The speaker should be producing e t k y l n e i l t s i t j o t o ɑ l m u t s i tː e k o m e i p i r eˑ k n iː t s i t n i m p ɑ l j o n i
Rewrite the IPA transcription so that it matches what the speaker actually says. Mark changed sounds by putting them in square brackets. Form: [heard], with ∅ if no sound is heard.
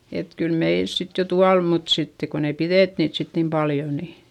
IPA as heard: e t k y l [m] e i l [s] s i t j o t [u] ɑ l m u t s i tː e k o [n] e i p i r eˑ [t] n iː t s i t n i m p ɑ l j o n i